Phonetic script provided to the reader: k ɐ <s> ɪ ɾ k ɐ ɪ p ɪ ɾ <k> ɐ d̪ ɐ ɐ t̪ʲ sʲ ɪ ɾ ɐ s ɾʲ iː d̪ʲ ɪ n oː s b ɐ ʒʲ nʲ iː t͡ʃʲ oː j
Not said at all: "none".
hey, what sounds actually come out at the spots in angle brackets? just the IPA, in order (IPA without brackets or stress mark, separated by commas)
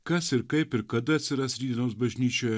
s, k